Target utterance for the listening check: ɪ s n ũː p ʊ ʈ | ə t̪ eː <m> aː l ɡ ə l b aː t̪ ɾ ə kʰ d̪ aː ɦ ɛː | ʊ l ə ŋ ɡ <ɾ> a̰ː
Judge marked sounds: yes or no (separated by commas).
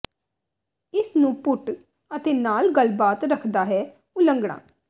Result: no, no